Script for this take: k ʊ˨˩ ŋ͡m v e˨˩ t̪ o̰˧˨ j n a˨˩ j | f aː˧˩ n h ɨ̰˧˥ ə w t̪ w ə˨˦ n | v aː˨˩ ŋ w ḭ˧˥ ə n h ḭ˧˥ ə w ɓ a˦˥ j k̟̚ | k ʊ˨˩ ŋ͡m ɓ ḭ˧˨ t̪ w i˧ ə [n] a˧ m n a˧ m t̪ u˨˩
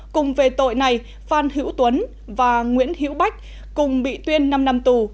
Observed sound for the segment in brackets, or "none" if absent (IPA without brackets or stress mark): nː